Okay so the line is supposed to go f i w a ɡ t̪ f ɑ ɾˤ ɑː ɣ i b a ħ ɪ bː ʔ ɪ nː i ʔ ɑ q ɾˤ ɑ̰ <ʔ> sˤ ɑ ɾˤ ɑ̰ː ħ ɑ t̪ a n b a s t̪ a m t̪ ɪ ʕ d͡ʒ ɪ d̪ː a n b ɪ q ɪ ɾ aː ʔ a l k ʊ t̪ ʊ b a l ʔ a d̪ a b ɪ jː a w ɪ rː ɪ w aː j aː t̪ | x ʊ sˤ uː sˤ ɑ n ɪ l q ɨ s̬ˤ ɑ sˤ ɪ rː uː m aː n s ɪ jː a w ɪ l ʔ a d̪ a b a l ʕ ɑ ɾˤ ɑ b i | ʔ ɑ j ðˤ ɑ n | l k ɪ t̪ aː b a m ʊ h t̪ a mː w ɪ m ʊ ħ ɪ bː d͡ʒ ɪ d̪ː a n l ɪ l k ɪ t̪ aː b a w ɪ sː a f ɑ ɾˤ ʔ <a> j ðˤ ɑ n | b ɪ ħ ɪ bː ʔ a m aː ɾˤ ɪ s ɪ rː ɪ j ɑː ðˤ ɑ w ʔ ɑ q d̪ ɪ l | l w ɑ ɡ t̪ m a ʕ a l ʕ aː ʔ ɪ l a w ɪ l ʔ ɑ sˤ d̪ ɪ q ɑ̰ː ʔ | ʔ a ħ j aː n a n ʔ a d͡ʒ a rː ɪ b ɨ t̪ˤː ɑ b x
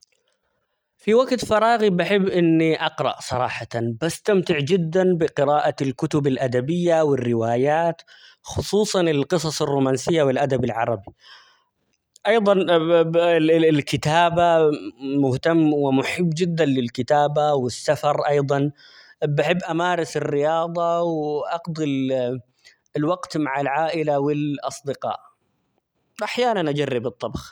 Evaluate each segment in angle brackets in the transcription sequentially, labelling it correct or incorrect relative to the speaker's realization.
correct, incorrect: ɑ

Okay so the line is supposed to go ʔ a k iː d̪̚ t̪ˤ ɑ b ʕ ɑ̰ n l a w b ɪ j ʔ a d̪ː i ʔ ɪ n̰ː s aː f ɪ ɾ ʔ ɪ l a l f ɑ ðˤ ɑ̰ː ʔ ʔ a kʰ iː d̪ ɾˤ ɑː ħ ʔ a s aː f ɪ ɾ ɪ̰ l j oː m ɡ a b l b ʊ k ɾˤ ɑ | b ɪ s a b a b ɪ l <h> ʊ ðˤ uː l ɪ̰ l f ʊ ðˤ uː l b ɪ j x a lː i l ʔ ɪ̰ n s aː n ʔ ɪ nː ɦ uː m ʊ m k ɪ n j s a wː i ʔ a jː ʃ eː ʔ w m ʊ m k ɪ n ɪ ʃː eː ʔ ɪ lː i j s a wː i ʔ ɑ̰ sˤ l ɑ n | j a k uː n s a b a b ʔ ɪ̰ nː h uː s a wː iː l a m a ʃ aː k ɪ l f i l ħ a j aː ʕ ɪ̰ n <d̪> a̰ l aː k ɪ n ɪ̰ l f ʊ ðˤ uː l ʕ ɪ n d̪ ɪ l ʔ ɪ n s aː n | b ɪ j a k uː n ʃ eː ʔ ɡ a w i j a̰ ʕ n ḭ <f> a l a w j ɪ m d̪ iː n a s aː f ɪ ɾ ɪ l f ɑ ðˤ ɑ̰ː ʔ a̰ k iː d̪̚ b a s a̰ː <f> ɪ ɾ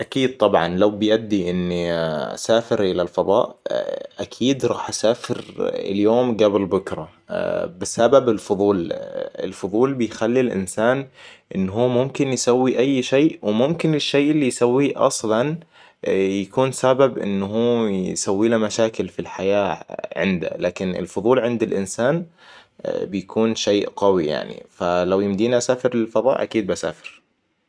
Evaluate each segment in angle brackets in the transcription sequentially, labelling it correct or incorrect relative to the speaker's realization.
incorrect: f, correct, correct, correct

